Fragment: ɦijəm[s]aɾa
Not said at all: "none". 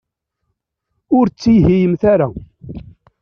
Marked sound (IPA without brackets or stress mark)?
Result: θ